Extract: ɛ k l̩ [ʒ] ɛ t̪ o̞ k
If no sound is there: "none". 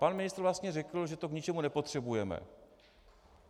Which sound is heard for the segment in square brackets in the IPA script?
ʒ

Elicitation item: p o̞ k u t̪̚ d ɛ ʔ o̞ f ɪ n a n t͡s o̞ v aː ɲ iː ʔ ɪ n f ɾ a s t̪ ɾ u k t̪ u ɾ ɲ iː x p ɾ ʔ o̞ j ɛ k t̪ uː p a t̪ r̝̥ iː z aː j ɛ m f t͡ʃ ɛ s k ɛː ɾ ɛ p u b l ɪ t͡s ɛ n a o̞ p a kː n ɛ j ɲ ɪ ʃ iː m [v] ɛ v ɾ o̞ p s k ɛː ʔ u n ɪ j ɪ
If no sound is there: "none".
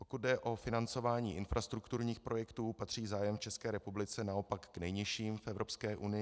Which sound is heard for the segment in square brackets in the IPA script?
f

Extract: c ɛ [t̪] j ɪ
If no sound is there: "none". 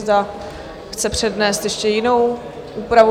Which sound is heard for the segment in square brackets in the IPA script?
none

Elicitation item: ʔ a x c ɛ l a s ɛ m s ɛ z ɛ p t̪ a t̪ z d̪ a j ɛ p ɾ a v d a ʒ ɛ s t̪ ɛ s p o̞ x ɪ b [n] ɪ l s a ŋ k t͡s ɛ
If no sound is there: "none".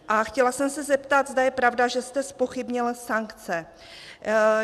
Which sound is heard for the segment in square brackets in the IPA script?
ɲ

